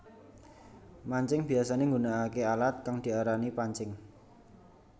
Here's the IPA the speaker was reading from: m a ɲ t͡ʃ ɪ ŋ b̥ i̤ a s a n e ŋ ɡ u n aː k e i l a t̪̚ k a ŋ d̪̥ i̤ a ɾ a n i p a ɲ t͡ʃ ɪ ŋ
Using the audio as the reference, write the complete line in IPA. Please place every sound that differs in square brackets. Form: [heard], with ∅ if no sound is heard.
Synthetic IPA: m a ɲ t͡ʃ ɪ ŋ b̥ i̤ a s a n e ŋ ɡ u n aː k e [a] l a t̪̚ k a ŋ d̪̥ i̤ a ɾ a n i p a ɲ t͡ʃ ɪ ŋ